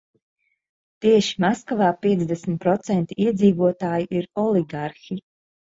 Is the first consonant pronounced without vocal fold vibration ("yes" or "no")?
yes